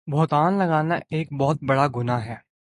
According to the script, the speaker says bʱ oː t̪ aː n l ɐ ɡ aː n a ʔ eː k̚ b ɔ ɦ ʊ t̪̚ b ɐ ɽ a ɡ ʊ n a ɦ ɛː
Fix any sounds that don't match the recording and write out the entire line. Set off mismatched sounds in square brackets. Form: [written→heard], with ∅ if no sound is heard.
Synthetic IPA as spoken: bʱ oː t̪ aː n l ɐ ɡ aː n a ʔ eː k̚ b ɔ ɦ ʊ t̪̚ b ɐ ɽ a ɡ ʊ n a ɦ ɛː